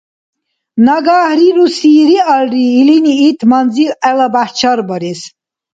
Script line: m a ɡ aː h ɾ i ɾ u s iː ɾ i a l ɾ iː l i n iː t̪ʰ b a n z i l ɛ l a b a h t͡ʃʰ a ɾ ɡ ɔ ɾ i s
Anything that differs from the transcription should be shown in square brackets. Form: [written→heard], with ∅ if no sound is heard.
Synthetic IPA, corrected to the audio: [m→n] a ɡ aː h ɾ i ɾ u s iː ɾ i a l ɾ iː l i n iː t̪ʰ [b→m] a n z i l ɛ l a b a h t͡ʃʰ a ɾ [ɡ→b] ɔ ɾ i s